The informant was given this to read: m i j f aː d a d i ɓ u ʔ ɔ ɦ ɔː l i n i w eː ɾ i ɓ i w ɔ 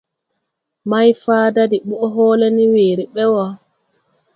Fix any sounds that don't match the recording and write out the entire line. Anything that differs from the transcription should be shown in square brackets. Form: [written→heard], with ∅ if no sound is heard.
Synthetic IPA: m [i→a] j f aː d a d i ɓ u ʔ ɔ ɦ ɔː l [i→ɛ] n i w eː ɾ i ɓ [i→ɛ] w ɔ